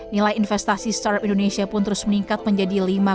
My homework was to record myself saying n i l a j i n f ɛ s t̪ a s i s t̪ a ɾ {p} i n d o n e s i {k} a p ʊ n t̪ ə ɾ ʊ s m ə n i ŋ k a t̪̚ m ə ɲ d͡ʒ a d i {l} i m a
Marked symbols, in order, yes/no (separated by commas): yes, no, yes